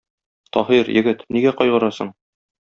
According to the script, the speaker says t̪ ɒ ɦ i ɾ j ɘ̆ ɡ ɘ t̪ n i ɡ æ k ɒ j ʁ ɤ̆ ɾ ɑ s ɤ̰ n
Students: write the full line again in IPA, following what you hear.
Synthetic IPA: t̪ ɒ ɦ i ɾ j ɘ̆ ɡ ɘ t̪ n i ɡ æ q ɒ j ʁ ɤ̆ ɾ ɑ s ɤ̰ ɴ